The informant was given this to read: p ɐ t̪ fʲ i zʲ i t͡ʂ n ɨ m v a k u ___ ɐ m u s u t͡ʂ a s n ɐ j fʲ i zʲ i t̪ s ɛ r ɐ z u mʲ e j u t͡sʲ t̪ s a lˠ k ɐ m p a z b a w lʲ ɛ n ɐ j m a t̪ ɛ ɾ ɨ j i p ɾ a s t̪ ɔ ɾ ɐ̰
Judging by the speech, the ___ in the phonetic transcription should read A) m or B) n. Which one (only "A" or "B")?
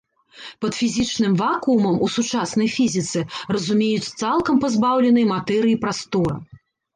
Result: A